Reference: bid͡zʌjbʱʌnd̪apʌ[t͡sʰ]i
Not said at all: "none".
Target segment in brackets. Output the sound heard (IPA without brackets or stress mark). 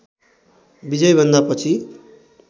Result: t͡sʰ